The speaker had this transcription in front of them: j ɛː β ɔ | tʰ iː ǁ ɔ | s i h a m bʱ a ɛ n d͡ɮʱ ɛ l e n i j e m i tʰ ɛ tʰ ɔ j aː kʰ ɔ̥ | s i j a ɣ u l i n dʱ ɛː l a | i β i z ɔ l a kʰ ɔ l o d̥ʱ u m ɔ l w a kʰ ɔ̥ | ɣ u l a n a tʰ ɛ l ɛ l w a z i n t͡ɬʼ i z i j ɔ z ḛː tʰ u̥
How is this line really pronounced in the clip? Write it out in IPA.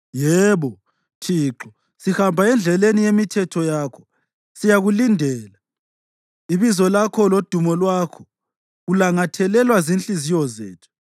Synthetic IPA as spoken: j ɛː β ɔ | tʰ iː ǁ ɔ | s i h a m bʱ a ɛ n d͡ɮʱ ɛ l e n i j e m i tʰ ɛ tʰ ɔ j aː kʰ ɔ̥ | s i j a ɣ u l i n dʱ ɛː l a | i β i z ɔ l a kʰ ɔ l o d̥ʱ u m ɔ l w a kʰ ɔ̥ | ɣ u l a ŋ a tʰ ɛ l ɛ l w a z i n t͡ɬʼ i z i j ɔ z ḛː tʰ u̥